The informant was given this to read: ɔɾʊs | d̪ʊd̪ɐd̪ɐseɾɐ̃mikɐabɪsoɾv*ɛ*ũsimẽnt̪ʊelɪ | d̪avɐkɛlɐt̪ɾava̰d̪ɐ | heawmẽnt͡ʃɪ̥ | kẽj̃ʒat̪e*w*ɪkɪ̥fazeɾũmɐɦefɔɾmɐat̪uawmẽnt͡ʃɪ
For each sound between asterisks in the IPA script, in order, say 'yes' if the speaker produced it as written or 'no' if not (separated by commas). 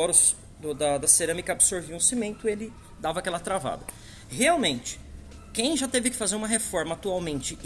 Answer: no, no